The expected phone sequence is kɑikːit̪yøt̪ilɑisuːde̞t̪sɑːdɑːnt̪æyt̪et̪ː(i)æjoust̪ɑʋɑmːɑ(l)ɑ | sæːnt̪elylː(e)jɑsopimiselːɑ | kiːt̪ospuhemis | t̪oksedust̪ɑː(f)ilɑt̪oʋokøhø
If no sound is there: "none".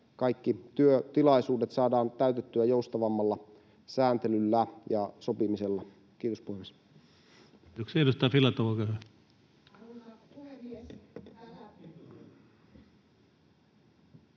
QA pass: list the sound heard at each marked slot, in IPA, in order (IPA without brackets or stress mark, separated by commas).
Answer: y, lː, æ, f